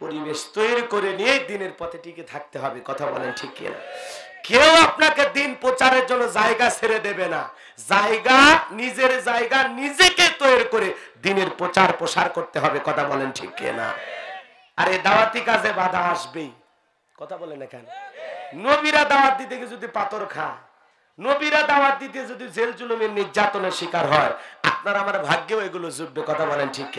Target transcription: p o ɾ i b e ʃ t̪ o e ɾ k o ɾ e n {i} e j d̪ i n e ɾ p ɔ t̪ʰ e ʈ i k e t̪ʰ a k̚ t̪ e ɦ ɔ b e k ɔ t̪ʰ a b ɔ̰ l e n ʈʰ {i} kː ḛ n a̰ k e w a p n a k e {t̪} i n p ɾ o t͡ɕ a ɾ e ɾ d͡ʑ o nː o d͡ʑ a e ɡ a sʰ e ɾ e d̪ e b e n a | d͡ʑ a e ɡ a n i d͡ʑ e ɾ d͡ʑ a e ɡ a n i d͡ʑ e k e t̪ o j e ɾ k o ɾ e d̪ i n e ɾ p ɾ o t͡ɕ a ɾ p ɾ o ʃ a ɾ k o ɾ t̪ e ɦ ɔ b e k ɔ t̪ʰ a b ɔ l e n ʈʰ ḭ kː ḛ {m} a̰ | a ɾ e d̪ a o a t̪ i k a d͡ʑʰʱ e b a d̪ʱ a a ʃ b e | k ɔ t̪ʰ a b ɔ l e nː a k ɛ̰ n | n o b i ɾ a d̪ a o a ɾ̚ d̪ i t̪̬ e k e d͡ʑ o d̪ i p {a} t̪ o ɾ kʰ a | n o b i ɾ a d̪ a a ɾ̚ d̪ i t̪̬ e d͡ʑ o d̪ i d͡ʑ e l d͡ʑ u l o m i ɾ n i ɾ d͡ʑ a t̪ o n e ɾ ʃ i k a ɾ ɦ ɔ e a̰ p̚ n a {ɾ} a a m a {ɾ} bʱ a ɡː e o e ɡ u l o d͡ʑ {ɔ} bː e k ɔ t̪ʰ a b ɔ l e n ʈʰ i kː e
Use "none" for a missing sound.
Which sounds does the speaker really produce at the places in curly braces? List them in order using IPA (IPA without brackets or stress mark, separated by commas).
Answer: i, i, d̪, n, a, ɾ, ɾ, u